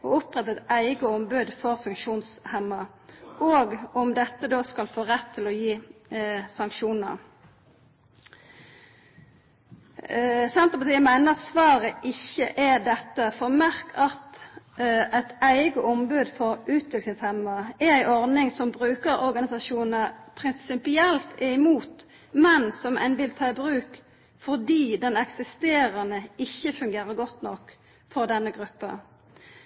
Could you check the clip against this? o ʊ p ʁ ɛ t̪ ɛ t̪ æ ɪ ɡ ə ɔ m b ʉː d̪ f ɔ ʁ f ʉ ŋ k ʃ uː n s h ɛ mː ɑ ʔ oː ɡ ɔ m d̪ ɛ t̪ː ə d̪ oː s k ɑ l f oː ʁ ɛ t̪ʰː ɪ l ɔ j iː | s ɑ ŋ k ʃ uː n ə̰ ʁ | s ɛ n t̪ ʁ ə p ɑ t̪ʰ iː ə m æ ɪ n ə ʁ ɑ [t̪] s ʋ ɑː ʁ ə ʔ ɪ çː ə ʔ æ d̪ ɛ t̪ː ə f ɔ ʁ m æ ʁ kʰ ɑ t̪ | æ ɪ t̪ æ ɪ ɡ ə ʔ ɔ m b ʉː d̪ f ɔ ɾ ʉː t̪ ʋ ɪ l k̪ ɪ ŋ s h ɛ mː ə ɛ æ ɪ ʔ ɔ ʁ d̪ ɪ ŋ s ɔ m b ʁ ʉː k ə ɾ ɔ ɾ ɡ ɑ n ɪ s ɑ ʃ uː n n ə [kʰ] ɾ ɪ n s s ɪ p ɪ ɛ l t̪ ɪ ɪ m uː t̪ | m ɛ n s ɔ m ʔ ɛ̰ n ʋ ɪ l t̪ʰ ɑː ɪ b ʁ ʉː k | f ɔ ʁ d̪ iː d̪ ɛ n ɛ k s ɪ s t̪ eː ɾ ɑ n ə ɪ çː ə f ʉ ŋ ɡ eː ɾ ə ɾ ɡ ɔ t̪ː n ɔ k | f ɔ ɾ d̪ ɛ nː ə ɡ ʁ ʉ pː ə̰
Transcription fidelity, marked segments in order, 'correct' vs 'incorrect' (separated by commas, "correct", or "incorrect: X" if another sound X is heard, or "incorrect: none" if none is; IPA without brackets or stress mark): correct, incorrect: pʰ